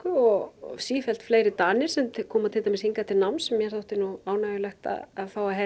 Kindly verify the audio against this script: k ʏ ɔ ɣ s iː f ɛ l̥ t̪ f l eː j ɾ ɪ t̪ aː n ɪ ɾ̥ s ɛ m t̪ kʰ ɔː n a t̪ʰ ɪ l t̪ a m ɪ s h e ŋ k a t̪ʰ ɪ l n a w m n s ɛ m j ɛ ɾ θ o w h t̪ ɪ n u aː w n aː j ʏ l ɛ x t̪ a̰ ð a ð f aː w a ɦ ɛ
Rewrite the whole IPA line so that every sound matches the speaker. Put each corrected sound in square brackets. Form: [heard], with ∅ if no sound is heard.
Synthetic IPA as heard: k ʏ ɔ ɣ s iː f ɛ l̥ t̪ f l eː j ɾ ɪ t̪ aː n ɪ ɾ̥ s ɛ m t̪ kʰ ɔː [m] a t̪ʰ ɪ l t̪ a m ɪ s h [i] ŋ k a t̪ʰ ɪ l n a w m n s ɛ m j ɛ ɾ θ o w h t̪ ɪ n u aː w n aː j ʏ l ɛ x t̪ a̰ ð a ð f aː w a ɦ ɛ